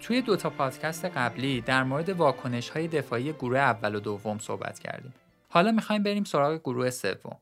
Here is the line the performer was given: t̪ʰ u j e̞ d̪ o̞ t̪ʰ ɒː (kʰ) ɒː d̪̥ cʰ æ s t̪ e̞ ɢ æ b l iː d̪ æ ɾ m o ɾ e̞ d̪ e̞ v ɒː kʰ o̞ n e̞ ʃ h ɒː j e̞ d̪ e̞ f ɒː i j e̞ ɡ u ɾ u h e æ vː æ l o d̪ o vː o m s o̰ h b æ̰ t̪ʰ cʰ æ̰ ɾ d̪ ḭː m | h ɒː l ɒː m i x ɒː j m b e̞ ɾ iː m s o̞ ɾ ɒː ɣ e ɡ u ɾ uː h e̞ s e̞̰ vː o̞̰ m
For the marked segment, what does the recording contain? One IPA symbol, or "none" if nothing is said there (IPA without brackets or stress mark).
pʰ